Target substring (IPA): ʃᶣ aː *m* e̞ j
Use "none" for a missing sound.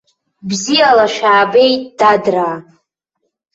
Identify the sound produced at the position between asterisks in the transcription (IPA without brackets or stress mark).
b